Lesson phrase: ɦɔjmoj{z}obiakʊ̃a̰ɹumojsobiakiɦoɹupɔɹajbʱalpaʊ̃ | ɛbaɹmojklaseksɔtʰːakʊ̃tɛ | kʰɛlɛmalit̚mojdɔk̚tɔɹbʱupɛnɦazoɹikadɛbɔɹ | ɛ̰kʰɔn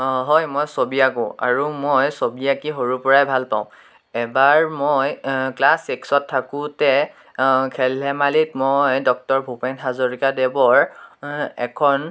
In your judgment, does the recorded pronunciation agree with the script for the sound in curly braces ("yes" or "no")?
no